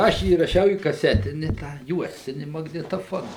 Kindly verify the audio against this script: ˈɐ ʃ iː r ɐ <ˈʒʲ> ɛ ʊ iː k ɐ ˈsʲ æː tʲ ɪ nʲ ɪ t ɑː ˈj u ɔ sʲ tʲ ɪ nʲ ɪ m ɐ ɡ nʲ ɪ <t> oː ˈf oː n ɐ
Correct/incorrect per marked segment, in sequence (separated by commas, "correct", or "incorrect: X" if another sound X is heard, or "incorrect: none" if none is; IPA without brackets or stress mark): incorrect: ʃʲ, correct